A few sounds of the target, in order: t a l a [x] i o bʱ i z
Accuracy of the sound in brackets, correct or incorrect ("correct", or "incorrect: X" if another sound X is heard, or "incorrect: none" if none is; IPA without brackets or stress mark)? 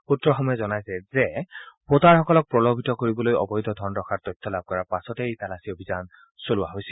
incorrect: s